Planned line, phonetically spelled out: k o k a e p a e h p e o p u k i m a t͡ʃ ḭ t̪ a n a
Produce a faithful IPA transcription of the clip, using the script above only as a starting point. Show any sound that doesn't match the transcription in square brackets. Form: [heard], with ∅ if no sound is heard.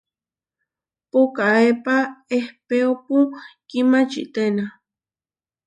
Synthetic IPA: [p] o k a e p a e h p e o p u k i m a t͡ʃ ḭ t̪ [e] n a